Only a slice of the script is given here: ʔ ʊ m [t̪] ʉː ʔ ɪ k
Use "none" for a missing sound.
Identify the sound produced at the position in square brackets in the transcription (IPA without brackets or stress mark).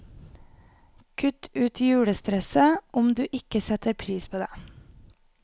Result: d̪